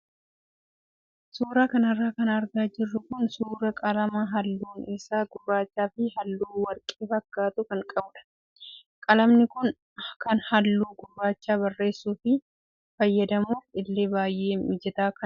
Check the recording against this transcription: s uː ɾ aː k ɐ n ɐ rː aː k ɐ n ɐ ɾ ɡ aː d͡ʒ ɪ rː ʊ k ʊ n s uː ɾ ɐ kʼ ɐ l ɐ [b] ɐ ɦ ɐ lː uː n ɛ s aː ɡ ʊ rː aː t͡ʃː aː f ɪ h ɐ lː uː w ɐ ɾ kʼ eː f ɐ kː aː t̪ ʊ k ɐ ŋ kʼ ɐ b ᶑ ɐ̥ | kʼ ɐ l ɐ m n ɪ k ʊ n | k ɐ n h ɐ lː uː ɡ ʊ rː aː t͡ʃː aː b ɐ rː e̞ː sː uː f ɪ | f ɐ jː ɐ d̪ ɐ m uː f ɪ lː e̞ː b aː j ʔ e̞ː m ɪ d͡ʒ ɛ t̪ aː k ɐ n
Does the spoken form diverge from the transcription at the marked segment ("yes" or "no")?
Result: yes